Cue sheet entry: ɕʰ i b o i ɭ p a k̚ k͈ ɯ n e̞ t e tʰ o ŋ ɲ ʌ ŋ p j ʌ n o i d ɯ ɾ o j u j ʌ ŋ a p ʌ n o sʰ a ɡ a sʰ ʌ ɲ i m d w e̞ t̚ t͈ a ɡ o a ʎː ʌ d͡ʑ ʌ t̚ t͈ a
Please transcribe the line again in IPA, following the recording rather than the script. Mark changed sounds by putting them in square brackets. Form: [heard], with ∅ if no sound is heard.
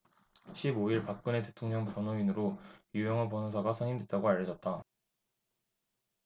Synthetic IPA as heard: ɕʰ i b o i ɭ p a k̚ k͈ ɯ n e̞ t e tʰ o ŋ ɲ ʌ ŋ p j ʌ n o i [n] ɯ ɾ o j u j ʌ ŋ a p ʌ n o sʰ a ɡ a sʰ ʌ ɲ i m d w e̞ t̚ t͈ a ɡ o a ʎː ʌ d͡ʑ ʌ t̚ t͈ a